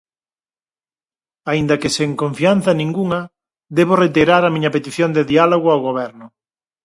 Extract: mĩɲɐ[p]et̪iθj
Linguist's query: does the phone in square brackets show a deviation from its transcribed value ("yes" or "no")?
no